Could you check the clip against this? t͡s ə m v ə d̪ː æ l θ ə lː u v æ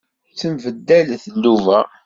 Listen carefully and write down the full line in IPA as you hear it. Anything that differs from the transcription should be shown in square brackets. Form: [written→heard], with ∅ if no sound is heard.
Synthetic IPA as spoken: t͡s ə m v ə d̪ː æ l θ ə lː u v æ